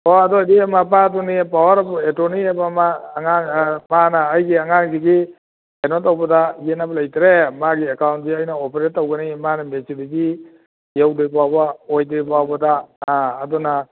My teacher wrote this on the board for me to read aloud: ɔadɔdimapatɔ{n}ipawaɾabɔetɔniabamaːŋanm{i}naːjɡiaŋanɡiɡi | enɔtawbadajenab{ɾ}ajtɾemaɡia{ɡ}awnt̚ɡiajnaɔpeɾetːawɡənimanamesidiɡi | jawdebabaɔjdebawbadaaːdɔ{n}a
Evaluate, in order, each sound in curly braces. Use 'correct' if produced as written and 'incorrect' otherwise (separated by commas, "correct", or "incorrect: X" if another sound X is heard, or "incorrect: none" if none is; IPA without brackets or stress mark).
correct, incorrect: a, incorrect: l, incorrect: k, correct